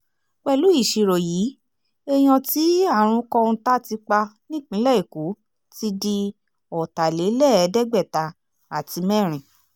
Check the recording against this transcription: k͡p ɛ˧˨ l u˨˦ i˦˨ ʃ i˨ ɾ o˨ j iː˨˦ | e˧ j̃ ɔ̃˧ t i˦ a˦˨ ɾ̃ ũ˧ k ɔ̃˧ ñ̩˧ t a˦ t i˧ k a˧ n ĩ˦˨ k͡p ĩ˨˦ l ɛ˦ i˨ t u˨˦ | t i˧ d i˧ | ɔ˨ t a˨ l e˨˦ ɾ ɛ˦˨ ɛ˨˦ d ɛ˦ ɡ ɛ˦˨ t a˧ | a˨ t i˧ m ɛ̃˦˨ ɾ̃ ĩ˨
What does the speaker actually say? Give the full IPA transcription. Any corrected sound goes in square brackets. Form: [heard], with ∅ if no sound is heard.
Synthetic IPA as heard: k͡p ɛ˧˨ l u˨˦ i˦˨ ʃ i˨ ɾ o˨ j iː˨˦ | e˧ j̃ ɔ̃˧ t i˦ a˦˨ ɾ̃ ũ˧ k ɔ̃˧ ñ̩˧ t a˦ t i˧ [k͡p] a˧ n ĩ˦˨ k͡p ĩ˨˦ l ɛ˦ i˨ [k] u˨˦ | t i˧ d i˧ | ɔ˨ t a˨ l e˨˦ [l] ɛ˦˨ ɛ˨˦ d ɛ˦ [ɡ͡b] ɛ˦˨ t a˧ | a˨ t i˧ m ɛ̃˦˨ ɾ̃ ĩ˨